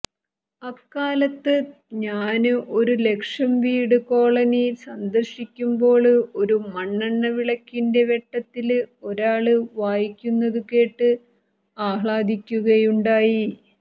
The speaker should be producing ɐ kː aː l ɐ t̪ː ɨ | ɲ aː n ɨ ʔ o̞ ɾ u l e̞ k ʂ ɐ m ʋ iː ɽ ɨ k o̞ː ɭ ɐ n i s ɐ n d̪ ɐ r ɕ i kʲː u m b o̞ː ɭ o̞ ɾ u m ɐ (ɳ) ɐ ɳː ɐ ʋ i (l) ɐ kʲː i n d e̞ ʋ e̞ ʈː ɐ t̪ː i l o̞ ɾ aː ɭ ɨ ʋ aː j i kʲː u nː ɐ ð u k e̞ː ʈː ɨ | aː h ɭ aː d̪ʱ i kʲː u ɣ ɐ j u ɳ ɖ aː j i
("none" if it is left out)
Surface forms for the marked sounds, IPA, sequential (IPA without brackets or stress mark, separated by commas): ɳː, ɭ